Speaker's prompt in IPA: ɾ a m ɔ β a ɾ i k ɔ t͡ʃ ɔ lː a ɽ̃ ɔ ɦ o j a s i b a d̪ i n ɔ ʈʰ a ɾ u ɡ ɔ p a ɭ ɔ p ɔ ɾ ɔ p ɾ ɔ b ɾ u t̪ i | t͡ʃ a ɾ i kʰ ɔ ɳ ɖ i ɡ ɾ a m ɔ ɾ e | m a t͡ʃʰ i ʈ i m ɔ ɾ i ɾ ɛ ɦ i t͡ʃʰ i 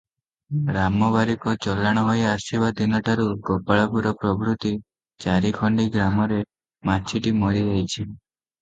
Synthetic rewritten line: ɾ a m ɔ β a ɾ i k ɔ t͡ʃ ɔ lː a ɽ̃ ɔ ɦ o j a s i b a d̪ i n ɔ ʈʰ a ɾ u ɡ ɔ p a ɭ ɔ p u ɾ ɔ p ɾ ɔ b ɾ u t̪ i | t͡ʃ a ɾ i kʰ ɔ ɳ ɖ i ɡ ɾ a m ɔ ɾ e | m a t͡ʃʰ i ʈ i m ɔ ɾ i ɾ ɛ ɦ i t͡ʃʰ i

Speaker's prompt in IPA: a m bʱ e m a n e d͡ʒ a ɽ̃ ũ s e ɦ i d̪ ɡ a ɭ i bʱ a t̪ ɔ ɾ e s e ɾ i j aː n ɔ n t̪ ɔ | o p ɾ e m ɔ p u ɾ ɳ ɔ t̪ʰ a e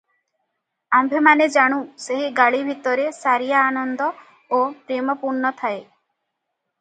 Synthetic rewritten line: a m bʱ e m a n e d͡ʒ a ɽ̃ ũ s e ɦ i ɡ a ɭ i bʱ i t̪ ɔ ɾ e s a ɾ i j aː n ɔ n d̪ ɔ | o p ɾ e m ɔ p u ɾ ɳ ɔ t̪ʰ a e

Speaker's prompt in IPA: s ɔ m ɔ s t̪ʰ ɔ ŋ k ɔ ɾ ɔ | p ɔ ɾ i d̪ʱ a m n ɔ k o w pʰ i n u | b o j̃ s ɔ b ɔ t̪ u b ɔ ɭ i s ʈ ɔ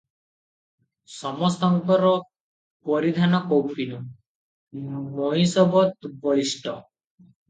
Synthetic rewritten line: s ɔ m ɔ s t̪ ɔ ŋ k ɔ ɾ ɔ | p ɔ ɾ i d̪ʱ a n ɔ k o w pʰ i n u | m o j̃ s ɔ b ɔ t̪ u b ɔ ɭ i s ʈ ɔ

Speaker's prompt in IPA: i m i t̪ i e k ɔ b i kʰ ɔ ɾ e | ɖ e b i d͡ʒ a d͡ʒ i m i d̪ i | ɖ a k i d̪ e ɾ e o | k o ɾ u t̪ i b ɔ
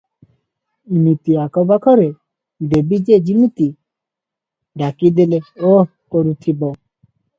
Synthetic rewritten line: i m i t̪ i a k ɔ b a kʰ ɔ ɾ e | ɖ e b i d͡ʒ e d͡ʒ i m i t̪ i | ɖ a k i d̪ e l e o | k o ɾ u t̪ʰ i b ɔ

